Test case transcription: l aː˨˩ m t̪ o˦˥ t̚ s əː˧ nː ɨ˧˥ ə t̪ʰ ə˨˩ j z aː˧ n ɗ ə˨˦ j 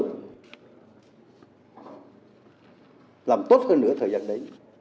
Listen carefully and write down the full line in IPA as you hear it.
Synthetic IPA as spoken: l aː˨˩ m t̪ o˦˥ t̚ h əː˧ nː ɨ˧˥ ə t̪ʰ əː˨˩ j z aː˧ n ɗ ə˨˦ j

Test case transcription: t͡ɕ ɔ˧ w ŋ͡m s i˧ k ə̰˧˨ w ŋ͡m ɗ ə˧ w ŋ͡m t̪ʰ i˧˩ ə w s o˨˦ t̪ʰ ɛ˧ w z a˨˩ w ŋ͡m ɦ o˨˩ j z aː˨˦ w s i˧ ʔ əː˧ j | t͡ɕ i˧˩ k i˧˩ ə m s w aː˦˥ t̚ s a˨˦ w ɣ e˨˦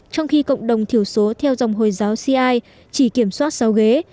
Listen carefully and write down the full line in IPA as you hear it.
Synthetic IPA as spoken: t͡ɕ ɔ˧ w ŋ͡m x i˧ k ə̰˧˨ w ŋ͡m ɗ ə˨˩ w ŋ͡m t̪ʰ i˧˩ ə w s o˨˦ t̪ʰ ɛ˧ w z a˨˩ w ŋ͡m ɦ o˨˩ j z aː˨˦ w s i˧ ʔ aː˧ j | t͡ɕ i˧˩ k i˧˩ ə m s w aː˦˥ t̚ s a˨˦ w ɣ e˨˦

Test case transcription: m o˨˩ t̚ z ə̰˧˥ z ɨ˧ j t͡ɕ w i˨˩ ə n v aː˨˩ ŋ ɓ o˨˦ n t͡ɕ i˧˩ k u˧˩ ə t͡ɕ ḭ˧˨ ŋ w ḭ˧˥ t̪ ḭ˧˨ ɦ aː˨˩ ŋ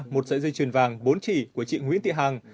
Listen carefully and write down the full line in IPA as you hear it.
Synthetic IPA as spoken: m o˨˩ t̚ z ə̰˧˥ z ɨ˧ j t͡ɕ w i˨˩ ə n v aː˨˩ ŋ ɓ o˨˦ n t͡ɕ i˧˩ k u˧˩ ə t͡ɕ ḭ˧˨ ŋ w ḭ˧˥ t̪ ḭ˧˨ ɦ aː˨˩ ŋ

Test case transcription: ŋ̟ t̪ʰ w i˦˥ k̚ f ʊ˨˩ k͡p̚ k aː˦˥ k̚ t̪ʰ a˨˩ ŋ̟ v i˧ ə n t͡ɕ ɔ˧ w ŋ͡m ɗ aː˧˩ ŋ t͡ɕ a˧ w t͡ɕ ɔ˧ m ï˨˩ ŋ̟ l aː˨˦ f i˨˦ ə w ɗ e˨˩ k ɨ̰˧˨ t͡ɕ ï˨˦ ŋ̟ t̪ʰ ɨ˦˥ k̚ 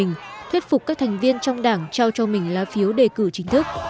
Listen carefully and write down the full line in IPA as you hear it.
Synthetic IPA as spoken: ŋ̟ t̪ʰ w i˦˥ t̚ f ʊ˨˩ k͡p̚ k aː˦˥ k̚ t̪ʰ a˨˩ ŋ̟ v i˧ ə n t͡ɕ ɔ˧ w ŋ͡m ɗ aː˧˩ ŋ t͡ɕ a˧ w t͡ɕ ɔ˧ m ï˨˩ ŋ̟ l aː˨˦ f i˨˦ ə w ɗ e˨˩ k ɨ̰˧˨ t͡ɕ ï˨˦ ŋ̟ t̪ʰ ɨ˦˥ k̚

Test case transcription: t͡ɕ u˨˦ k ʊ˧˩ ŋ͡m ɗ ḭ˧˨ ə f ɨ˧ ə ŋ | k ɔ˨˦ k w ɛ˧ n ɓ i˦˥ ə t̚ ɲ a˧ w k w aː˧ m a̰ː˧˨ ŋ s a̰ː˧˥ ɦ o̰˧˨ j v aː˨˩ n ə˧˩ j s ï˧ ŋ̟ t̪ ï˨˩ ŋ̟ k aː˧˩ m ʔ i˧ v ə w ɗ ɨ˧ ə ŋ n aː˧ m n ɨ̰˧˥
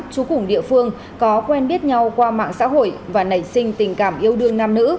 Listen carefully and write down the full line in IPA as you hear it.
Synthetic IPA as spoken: t͡ɕ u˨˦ k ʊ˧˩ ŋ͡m ɗ ḭ˧˨ ə f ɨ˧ ə ŋ | k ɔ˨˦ k w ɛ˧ n ɓ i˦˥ ə t̚ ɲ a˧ w k w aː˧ m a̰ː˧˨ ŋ s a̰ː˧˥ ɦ o̰˧˨ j v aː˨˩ n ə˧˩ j s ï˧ ŋ̟ t̪ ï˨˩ ŋ̟ k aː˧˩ m ʔ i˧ ə w ɗ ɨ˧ ə ŋ n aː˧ m n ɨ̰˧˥

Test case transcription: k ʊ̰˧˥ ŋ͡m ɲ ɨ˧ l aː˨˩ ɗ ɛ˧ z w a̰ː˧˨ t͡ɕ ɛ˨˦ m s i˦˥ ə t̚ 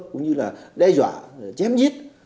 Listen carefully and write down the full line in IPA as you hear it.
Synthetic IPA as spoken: k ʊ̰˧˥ ŋ͡m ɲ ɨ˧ l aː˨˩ ɗ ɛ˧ z w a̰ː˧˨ t͡ɕ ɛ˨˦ m z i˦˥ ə t̚

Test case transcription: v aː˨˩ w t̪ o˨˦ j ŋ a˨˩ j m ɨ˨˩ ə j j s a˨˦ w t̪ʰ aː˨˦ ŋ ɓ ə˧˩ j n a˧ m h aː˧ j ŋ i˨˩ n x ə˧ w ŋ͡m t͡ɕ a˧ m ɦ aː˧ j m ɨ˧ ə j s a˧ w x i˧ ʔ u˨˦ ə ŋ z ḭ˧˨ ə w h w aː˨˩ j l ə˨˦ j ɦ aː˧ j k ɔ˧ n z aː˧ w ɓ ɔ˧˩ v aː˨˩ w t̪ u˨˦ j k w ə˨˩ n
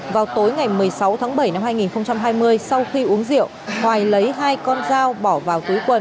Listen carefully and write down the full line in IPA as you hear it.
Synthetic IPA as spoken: v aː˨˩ w t̪ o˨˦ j ŋ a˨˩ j m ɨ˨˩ ə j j s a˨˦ w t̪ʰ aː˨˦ ŋ ɓ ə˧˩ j n a˧ m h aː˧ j ŋ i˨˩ n x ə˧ w ŋ͡m t͡ɕ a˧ m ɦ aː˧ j m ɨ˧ ə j s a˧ w x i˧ ʔ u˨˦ ə ŋ z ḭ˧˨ ə w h w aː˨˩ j l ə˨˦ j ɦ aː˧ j k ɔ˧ n z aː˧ w ɓ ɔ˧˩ v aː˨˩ w t̪ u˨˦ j k w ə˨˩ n

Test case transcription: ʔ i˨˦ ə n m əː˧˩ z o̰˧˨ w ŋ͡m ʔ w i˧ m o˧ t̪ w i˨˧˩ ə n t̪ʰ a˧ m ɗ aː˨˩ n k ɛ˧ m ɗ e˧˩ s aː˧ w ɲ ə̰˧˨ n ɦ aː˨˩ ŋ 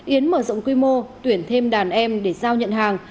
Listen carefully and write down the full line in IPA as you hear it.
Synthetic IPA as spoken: ʔ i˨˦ ə n m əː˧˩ z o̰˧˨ w ŋ͡m k w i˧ m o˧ t̪ w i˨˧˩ ə n t̪ʰ e˧ m ɗ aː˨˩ n ʔ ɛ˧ m ɗ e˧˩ z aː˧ w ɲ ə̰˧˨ n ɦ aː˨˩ ŋ

